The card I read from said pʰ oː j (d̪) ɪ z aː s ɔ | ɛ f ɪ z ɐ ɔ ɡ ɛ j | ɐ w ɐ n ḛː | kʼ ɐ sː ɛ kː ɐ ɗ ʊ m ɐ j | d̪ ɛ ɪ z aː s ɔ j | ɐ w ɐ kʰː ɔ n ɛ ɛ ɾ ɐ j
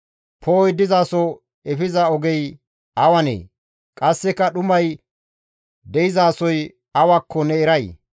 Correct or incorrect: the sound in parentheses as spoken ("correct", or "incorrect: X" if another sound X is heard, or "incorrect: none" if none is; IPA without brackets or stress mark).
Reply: correct